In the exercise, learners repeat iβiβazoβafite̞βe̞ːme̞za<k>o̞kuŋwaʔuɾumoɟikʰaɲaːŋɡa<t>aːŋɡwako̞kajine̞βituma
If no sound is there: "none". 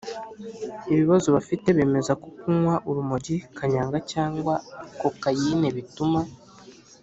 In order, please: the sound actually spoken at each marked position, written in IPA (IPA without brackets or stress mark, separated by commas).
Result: k, c